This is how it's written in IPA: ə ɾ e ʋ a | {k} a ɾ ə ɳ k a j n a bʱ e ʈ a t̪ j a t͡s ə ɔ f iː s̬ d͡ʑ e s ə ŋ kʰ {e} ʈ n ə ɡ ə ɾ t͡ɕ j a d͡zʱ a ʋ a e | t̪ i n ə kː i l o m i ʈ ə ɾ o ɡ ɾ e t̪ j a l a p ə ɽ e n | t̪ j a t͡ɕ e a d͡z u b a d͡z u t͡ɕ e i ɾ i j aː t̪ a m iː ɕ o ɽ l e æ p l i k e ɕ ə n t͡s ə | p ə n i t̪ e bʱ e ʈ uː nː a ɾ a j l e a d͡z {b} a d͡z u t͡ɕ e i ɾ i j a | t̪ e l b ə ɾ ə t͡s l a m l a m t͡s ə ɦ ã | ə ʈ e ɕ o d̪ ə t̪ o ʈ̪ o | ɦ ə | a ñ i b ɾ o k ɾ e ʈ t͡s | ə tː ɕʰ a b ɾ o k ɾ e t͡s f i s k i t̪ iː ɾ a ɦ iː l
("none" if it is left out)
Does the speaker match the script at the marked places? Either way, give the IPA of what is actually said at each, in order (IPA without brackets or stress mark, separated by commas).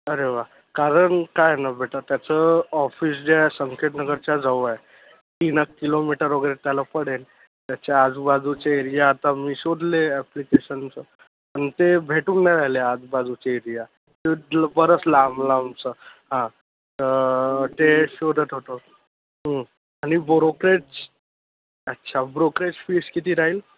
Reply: k, e, b